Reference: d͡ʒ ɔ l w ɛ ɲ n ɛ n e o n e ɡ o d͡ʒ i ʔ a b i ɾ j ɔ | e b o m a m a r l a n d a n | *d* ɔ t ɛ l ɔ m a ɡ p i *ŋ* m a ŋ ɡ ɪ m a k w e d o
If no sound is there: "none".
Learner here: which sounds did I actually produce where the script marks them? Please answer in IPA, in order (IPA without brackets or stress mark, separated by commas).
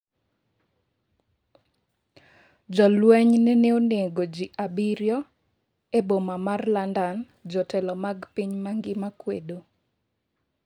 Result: d͡ʒ, ɲ